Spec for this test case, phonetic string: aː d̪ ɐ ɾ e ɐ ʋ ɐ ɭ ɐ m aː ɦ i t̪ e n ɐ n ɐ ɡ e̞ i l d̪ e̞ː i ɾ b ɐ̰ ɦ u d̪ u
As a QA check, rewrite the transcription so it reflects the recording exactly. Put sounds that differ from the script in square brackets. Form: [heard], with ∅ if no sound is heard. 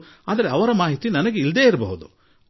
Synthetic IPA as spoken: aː d̪ ɐ ɾ e ɐ ʋ ɐ [ɾ] ɐ m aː ɦ i t̪ [i] n ɐ n ɐ ɡ e̞ i l d̪ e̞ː i ɾ b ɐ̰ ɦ u d̪ u